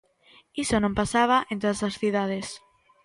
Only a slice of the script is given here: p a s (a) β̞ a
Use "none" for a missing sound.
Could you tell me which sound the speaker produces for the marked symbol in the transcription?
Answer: a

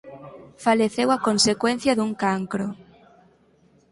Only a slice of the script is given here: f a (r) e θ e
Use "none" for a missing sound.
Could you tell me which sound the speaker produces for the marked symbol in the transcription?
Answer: l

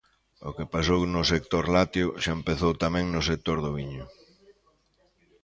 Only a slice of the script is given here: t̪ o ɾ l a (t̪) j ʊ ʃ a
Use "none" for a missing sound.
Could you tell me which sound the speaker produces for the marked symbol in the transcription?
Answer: t̪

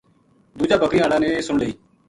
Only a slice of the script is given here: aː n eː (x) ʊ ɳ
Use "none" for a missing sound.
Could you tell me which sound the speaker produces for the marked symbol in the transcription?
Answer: s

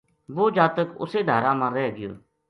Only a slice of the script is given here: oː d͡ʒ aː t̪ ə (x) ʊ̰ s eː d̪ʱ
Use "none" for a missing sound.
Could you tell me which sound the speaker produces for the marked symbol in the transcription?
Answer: k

